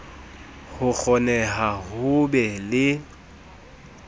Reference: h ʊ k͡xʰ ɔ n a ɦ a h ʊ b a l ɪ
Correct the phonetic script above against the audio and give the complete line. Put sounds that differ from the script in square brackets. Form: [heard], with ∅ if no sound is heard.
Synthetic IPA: h ʊ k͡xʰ ɔ n [ɛ] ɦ a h ʊ b [ɛ] l ɪ